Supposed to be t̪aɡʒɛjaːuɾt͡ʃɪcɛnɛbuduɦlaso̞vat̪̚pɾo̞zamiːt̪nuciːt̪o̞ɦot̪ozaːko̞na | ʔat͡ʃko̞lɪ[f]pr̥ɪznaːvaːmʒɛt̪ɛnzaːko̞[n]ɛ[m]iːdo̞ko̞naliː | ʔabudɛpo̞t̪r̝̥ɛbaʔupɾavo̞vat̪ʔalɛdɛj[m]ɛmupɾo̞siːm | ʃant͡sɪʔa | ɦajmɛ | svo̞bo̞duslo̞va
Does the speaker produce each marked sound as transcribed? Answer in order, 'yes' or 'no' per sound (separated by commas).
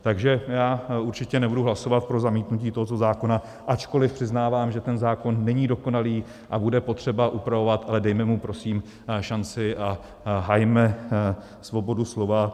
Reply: yes, no, no, yes